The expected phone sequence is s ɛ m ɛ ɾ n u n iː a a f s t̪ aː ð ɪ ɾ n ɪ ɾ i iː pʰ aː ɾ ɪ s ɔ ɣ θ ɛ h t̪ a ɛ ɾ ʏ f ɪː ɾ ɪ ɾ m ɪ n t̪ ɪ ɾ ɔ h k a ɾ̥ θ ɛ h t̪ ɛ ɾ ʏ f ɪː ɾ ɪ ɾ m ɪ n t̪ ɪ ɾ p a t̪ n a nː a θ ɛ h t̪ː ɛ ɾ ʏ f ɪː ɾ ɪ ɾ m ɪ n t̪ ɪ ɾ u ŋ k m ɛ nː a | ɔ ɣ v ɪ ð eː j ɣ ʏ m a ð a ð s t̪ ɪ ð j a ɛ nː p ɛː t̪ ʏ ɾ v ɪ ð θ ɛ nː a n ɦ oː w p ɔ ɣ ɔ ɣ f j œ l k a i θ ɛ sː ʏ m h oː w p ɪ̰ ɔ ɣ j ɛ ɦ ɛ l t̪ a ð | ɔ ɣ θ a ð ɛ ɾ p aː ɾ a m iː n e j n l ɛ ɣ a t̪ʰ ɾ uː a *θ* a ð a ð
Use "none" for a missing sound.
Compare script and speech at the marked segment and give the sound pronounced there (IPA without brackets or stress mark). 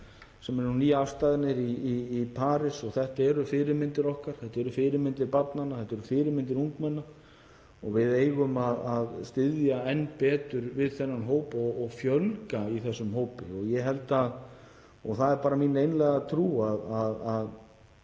ð